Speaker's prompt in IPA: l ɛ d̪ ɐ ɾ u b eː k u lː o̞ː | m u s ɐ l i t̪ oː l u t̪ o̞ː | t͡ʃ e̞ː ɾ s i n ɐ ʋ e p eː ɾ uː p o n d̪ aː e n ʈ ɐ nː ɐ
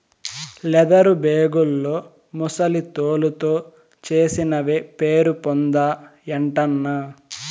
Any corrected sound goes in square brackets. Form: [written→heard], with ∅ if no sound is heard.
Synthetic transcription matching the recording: l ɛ d̪ ɐ ɾ u b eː [k→ɡ] u lː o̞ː | m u s ɐ l i t̪ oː l u t̪ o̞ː | t͡ʃ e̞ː [ɾ→∅] s i n ɐ ʋ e p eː ɾ [uː→u] p o n d̪ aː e [n→ɳ] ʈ ɐ nː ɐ